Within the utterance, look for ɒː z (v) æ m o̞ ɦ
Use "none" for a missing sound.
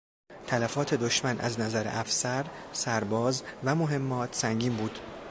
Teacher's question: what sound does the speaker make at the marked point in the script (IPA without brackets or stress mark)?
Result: v